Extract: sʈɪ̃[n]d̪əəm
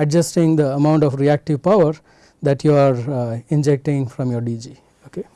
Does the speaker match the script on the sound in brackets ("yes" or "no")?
no